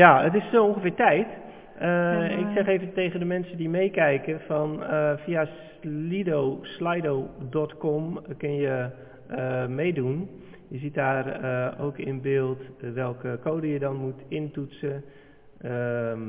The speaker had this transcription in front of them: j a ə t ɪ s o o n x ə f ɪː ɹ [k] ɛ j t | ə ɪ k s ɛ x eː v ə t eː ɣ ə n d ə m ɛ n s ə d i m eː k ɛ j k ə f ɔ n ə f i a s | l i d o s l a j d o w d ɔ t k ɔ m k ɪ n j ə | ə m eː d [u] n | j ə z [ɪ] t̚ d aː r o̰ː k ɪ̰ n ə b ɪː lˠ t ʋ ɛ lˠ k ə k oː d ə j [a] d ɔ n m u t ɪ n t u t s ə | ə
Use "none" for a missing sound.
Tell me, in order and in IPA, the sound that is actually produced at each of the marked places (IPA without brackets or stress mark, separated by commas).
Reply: t, u, i, ə